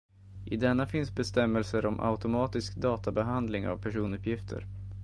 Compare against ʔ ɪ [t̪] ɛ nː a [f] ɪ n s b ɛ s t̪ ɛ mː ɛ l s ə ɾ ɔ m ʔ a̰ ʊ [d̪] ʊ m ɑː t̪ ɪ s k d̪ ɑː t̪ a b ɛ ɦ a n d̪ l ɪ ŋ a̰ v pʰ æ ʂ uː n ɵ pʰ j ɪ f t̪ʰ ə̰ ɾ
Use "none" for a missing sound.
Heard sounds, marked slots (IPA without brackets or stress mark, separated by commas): d̪, f, t̪